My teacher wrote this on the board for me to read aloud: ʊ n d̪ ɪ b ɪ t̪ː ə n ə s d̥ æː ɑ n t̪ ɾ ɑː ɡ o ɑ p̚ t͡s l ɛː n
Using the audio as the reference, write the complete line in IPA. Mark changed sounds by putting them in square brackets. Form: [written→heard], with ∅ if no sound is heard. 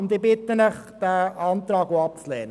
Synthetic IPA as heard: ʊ n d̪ ɪ b ɪ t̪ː ə n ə [s→χ] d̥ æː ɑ n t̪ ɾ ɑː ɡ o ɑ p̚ t͡s l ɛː n